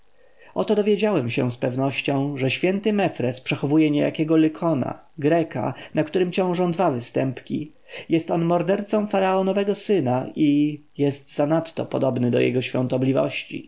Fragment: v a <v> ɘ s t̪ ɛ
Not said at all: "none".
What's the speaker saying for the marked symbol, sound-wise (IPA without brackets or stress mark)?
v